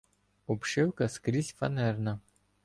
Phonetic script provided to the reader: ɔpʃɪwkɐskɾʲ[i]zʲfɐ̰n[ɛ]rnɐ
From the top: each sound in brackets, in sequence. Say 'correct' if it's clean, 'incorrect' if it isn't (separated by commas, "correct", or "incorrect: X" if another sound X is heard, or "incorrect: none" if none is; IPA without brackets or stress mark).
correct, correct